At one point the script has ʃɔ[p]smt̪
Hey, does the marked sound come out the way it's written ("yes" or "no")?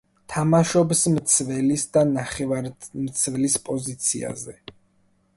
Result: no